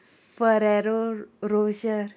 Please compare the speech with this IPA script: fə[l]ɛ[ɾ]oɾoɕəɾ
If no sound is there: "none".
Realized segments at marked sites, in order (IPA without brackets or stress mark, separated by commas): ɾ, ɾ